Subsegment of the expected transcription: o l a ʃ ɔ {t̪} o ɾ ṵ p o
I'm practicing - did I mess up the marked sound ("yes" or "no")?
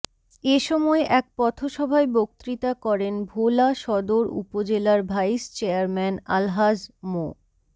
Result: yes